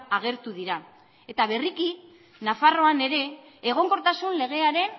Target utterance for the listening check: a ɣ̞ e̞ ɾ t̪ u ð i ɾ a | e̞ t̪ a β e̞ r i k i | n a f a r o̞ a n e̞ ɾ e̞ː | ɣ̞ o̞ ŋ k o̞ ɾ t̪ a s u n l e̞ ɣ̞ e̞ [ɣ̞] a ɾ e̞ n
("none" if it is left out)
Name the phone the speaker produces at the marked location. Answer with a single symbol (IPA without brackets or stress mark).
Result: none